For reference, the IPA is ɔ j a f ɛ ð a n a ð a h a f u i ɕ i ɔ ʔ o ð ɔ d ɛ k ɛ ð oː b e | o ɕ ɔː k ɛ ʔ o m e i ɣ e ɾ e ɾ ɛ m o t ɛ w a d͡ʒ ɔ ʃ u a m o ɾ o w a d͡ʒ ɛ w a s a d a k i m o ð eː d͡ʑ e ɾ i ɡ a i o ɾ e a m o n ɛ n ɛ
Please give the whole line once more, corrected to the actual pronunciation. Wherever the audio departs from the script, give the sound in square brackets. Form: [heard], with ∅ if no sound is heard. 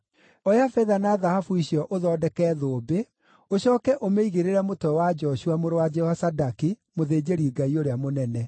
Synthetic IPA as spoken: ɔ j a f ɛ ð a n a ð a h a f u i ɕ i ɔ ʔ o ð ɔ d ɛ k ɛ ð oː b e | o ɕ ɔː k ɛ ʔ o m e i ɣ e ɾ e ɾ ɛ m o t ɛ w a d͡ʒ ɔ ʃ u a m o ɾ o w a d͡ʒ ɛ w a s a d a k i m o ð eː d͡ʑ e ɾ i ɡ a i o ɾ e a m o n ɛ n ɛ